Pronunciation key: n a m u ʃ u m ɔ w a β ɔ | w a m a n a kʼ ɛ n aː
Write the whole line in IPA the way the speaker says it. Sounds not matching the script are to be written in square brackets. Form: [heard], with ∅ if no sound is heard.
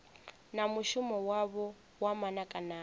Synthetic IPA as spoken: n a m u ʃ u m ɔ w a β ɔ | w a m a n a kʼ [a] n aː